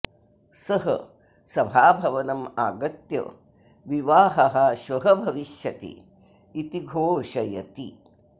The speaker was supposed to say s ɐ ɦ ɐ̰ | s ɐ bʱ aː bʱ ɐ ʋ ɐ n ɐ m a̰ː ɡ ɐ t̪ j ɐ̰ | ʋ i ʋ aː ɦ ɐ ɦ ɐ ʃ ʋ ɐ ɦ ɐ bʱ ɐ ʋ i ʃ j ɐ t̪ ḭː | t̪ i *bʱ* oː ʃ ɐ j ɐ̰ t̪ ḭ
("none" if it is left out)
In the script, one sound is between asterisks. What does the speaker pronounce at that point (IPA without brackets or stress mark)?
ɡʱ